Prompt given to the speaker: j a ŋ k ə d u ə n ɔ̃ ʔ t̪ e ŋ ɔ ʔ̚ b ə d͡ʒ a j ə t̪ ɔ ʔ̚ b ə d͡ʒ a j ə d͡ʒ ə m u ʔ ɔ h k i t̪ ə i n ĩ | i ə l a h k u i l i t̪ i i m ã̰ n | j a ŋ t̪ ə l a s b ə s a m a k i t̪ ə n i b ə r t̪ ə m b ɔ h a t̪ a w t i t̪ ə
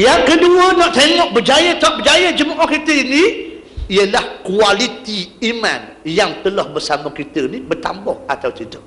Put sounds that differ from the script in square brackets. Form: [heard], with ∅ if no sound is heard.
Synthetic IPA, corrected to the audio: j a ŋ k ə d u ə n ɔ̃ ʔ t̪ e ŋ ɔ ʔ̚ b ə d͡ʒ a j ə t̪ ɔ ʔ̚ b ə d͡ʒ a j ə d͡ʒ ə m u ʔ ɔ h k i t̪ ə i n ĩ | i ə l a h k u [a] l i t̪ i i m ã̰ n | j a ŋ t̪ ə l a [h] b ə s a m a k i t̪ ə n i b ə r t̪ [a] m b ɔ h a t̪ a w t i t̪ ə